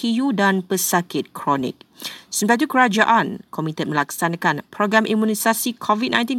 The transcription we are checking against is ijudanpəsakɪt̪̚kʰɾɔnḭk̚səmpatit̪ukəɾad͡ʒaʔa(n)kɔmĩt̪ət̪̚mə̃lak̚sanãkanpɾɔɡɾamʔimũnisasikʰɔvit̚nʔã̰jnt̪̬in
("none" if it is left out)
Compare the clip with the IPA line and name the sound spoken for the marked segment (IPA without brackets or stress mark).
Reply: n